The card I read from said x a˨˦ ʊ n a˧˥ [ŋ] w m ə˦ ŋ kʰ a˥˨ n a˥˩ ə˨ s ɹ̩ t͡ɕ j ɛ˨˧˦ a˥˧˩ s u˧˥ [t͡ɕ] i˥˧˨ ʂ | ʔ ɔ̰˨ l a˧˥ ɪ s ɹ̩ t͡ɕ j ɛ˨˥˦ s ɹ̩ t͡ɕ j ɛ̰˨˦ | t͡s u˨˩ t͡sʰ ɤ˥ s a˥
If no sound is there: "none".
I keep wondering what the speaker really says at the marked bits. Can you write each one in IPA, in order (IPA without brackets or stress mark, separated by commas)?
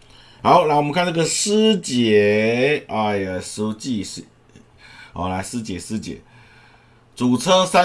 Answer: ŋ, t͡ɕ